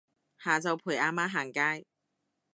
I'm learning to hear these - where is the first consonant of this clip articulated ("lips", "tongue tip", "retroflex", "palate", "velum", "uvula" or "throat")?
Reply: throat